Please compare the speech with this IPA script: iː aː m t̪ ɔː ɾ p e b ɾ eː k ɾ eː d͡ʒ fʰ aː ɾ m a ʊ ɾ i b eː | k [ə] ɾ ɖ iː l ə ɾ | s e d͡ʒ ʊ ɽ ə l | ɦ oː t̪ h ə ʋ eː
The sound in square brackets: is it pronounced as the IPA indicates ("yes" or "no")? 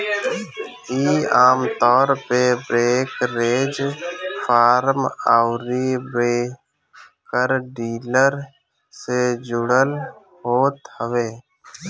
yes